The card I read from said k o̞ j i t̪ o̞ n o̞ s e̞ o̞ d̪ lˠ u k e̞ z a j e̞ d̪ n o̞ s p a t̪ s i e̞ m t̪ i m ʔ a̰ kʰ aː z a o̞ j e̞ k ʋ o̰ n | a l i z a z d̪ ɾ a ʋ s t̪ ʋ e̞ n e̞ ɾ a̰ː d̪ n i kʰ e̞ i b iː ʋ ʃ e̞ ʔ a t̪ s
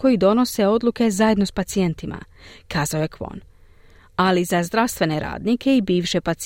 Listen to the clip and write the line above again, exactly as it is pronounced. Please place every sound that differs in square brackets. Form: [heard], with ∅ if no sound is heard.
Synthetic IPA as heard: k o̞ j i [d̪] o̞ n o̞ s e̞ o̞ d̪ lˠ u k e̞ z a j e̞ d̪ n o̞ s p a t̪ s i e̞ [n] t̪ i m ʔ a̰ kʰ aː z a o̞ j e̞ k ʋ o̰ n | a l i z a z d̪ ɾ a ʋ s t̪ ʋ e̞ n e̞ ɾ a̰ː d̪ n i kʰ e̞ i b iː ʋ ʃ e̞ [p] a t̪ s